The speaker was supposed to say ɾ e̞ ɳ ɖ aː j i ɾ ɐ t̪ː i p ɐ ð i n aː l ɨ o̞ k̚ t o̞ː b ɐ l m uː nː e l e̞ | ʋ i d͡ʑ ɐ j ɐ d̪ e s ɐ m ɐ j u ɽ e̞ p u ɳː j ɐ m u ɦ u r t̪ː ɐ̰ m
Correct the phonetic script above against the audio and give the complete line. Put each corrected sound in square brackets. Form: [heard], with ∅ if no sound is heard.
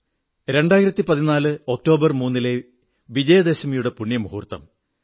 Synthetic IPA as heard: ɾ e̞ ɳ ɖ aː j i ɾ ɐ t̪ː i p ɐ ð i n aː l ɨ o̞ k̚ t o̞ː b ɐ [r] m uː nː [i] l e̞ | ʋ i d͡ʑ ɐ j ɐ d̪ e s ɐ m ɐ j u ɽ e̞ p u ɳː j ɐ m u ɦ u r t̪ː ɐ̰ m